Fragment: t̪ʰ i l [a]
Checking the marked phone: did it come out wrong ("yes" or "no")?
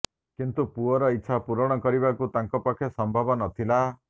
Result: no